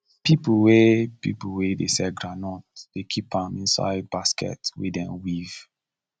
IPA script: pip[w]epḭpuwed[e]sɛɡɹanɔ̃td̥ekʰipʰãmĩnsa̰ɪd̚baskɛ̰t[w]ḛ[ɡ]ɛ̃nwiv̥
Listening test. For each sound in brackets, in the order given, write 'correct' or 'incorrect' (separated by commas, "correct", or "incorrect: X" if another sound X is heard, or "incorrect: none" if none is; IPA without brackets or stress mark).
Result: correct, correct, correct, incorrect: d